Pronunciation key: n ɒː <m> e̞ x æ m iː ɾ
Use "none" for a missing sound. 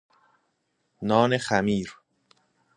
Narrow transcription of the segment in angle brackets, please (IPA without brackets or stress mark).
n